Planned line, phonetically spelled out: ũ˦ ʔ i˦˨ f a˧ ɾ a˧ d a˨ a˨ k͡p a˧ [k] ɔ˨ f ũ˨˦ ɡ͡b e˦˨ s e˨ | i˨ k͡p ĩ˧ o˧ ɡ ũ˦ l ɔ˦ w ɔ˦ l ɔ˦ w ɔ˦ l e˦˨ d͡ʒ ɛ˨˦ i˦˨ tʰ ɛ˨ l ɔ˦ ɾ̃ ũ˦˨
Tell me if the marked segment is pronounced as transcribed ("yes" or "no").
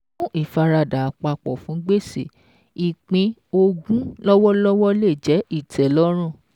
no